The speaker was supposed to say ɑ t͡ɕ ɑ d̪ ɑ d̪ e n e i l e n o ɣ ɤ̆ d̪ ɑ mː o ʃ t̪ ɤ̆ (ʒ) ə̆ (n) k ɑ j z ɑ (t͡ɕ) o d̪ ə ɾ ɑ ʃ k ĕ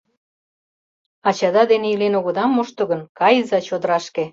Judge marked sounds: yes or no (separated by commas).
no, yes, yes